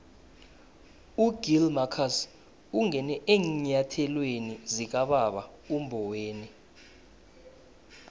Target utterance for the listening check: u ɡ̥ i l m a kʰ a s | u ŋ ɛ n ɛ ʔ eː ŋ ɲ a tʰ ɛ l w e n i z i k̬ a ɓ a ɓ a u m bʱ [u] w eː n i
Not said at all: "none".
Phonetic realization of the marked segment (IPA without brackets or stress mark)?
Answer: ɔ